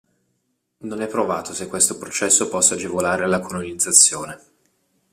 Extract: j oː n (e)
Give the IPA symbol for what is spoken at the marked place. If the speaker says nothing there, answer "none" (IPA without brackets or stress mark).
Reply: e